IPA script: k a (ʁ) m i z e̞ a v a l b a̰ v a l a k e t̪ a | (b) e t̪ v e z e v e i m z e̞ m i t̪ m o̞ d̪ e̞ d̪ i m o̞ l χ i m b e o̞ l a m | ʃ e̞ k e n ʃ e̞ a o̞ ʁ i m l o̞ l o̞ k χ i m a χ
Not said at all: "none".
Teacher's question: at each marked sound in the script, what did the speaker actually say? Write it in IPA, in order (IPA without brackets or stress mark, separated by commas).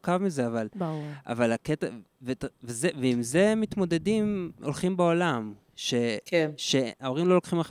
v, v